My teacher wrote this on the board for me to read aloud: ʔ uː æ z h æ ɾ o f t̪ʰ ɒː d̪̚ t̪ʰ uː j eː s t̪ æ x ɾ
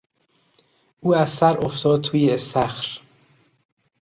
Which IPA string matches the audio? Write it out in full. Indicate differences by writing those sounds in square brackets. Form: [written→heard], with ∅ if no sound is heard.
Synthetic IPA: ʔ uː æ z [h→s] æ ɾ o f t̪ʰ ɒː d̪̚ t̪ʰ uː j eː s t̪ æ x ɾ